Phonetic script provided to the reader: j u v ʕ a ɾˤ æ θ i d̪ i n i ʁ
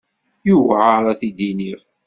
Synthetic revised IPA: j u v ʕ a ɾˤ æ θ i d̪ i n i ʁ